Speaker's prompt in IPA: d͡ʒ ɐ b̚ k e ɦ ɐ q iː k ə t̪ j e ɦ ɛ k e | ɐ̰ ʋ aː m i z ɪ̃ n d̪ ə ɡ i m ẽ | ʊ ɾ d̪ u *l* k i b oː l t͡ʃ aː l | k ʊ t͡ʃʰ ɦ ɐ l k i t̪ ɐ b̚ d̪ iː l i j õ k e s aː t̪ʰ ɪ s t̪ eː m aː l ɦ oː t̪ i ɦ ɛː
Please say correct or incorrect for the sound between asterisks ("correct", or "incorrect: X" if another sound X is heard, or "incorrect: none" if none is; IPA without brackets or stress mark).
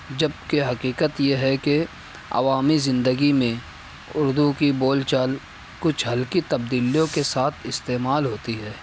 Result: incorrect: none